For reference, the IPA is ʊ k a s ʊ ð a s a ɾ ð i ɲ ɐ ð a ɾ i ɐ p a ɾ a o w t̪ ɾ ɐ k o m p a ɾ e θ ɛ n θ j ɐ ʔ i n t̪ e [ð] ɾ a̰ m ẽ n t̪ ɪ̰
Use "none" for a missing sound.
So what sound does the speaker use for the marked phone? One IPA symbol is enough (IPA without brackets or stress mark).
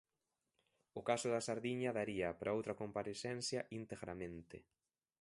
ɣ